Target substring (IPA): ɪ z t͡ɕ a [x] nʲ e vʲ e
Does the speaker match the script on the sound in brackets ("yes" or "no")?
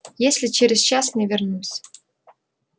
no